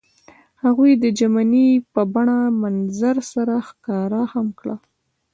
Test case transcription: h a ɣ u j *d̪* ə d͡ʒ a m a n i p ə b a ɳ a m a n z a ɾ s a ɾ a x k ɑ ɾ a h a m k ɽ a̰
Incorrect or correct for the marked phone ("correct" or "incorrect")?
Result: correct